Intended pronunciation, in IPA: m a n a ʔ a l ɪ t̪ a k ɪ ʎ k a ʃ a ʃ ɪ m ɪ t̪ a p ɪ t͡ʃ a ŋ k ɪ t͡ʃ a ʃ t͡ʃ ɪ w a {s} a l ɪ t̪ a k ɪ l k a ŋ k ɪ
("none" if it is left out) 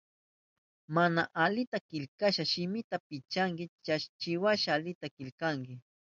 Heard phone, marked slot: ʃ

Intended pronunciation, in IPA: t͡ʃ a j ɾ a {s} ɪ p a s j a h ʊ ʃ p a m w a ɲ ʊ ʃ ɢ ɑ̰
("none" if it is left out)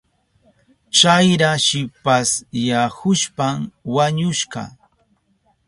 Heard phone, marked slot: ʃ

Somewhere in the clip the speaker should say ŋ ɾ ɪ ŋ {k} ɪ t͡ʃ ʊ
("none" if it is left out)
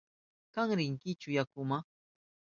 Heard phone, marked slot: k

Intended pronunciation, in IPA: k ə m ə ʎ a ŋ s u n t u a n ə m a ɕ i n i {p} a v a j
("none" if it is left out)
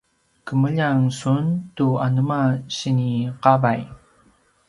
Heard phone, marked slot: q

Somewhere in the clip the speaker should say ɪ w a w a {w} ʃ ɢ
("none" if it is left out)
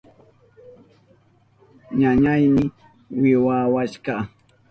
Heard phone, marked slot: none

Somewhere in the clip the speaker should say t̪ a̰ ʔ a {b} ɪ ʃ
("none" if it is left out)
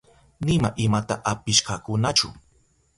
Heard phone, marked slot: p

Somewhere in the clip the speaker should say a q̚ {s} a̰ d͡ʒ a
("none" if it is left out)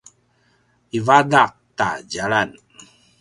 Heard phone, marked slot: t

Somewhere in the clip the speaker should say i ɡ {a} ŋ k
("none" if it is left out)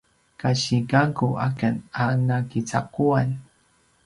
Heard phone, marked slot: a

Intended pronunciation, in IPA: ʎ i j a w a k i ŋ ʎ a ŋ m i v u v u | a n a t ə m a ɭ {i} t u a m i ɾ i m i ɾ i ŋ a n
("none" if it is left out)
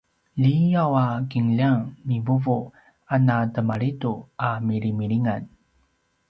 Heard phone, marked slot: i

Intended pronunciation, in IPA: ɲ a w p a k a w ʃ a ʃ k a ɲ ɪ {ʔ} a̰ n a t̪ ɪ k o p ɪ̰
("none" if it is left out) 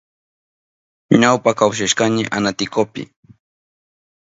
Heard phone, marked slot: ʔ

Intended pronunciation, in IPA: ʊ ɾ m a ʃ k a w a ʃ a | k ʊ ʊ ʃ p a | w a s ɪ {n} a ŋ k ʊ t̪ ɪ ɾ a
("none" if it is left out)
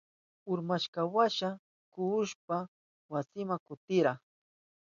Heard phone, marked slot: m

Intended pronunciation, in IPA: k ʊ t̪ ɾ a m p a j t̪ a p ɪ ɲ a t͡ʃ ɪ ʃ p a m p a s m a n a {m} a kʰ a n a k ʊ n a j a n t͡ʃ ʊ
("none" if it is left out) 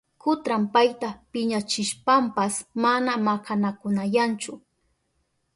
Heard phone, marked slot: m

